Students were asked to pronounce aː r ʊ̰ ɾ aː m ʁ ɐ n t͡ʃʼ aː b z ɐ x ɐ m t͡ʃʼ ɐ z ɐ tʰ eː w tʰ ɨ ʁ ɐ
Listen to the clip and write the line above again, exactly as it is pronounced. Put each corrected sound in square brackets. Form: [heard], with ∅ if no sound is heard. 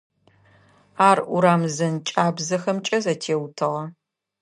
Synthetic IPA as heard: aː r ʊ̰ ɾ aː m [z] ɐ n t͡ʃʼ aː b z ɐ x ɐ m t͡ʃʼ ɐ z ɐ tʰ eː w tʰ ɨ ʁ ɐ